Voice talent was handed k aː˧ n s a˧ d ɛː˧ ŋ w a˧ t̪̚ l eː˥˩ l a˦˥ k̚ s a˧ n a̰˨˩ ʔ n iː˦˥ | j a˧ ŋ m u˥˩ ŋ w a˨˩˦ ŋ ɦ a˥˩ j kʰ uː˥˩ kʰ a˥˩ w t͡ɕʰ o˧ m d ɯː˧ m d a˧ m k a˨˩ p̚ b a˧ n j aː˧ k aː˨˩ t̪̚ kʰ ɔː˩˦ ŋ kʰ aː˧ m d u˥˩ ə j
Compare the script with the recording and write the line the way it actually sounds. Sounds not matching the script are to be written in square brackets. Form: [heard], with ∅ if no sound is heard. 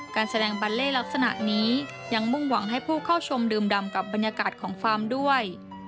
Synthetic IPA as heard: k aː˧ n s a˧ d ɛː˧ ŋ [b] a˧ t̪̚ l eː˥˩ l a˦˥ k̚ s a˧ n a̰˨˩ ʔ n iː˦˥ | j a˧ ŋ m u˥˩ ŋ w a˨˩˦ ŋ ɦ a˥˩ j [pʰ] uː˥˩ kʰ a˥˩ w t͡ɕʰ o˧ m d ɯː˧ m d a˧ m k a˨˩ p̚ b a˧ n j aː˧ k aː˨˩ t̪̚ kʰ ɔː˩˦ ŋ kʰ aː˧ m d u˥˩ ə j